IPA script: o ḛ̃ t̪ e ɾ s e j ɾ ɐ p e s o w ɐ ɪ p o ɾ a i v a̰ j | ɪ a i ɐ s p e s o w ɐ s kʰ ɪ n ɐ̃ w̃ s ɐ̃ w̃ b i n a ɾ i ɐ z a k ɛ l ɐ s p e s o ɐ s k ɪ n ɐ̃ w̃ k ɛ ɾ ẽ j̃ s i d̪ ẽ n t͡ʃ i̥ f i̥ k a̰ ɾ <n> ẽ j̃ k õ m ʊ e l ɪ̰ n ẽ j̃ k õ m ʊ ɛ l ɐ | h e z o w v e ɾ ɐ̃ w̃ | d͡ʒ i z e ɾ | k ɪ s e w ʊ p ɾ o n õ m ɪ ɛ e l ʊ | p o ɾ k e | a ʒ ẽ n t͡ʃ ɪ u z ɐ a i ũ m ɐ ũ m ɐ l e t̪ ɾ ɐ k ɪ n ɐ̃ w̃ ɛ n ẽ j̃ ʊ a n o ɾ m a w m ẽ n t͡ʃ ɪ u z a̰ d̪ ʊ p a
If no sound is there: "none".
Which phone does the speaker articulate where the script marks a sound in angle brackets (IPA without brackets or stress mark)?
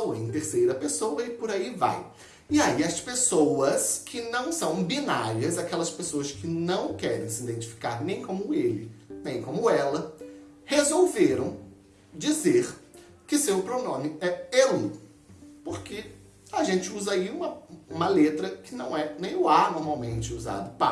n